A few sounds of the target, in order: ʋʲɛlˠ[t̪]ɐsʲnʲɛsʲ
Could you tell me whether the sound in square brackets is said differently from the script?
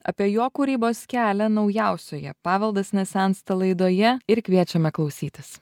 yes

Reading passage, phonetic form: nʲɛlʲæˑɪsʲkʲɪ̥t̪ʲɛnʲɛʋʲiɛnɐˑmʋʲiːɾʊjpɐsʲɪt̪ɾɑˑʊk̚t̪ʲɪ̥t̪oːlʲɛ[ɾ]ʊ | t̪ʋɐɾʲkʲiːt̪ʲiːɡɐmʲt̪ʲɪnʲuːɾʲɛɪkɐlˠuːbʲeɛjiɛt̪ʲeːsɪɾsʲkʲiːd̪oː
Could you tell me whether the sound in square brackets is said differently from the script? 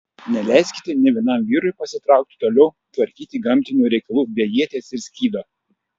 yes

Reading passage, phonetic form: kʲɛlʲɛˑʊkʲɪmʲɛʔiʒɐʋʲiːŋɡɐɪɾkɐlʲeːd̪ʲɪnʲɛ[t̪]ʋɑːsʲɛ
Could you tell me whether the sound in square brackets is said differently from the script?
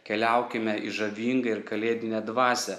yes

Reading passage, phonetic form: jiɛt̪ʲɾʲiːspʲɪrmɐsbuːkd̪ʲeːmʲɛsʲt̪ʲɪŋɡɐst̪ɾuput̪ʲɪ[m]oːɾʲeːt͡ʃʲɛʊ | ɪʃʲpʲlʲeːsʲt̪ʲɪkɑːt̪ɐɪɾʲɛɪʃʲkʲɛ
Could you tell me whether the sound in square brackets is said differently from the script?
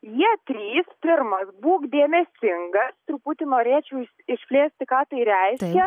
yes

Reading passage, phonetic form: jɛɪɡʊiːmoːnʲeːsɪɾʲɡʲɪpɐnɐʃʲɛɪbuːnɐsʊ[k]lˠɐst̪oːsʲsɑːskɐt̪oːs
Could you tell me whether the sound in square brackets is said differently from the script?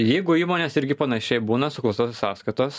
no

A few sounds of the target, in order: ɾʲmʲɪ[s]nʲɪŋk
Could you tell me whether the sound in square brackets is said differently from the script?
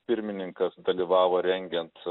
yes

